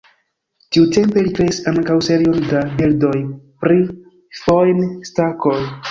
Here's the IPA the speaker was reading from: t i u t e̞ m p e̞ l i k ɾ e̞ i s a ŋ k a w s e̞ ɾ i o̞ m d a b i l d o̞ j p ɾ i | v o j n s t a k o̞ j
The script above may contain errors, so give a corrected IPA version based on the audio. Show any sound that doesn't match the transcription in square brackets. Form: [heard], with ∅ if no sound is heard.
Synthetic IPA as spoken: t i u t e̞ m p e̞ l i k ɾ e̞ i s a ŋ k a w s e̞ ɾ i o̞ [n] d a b i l d o̞ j p ɾ i | [f] o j n s t a k o̞ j